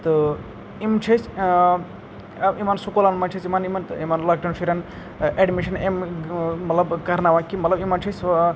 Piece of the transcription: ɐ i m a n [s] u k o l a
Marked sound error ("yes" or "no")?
no